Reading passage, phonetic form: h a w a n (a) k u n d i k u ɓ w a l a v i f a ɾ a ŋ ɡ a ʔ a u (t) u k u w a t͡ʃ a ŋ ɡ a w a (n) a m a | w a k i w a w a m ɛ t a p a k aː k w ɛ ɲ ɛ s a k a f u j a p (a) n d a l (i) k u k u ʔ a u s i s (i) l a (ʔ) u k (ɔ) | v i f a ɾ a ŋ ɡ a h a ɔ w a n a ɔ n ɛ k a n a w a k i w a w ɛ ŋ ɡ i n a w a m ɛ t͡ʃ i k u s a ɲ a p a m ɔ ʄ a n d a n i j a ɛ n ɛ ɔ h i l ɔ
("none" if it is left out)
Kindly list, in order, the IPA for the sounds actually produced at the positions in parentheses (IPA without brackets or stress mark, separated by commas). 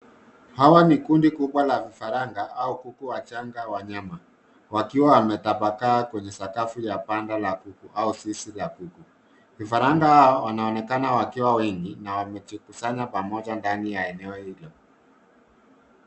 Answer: i, k, ɲ, a, a, i, k, u